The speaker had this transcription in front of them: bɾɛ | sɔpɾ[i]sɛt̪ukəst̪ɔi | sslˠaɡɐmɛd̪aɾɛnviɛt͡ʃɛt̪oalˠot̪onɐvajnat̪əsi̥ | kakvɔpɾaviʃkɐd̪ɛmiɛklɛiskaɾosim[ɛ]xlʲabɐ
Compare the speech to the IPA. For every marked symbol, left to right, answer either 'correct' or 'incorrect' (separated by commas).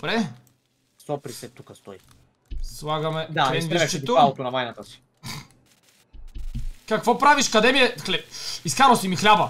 correct, incorrect